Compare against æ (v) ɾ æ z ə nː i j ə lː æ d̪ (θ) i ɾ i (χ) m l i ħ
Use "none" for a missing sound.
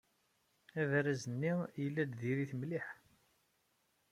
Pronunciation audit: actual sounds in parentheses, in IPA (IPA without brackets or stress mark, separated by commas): v, ð, θ